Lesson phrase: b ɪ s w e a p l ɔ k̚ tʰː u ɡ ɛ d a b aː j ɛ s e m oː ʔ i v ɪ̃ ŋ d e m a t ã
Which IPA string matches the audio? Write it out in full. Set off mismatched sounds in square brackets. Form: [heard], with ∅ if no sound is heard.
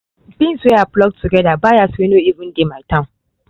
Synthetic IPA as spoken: b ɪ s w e a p l ɔ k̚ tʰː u ɡ ɛ d a b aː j [a] s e [n] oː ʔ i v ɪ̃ [n] d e m a t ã

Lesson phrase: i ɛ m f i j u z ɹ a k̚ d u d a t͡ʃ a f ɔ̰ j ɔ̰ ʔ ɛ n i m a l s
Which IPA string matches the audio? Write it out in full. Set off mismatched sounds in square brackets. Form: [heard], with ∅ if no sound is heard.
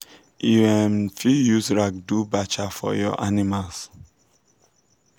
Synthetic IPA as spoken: i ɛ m f i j u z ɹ a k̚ d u [b] a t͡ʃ a f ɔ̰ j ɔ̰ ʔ [a] n i m a l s

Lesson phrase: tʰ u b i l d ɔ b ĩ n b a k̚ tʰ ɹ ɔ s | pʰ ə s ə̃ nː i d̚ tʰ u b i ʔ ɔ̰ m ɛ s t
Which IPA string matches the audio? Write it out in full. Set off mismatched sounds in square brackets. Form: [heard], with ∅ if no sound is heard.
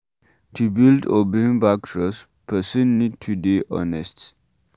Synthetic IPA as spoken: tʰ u b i l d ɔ b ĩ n b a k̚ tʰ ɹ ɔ s | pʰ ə s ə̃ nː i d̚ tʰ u [d] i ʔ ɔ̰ [n] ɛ s t

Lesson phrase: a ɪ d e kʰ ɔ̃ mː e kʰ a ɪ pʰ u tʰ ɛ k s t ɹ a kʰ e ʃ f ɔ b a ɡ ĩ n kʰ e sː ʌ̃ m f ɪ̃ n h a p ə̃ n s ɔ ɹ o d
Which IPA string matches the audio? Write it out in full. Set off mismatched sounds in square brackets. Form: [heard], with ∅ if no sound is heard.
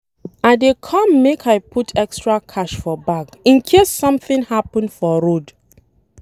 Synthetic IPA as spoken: a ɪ d e kʰ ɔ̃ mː e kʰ a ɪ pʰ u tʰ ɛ k s t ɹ a kʰ [a] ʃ f ɔ b a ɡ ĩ n kʰ e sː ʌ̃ m [θ] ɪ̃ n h a p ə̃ n [f] ɔ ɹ o d

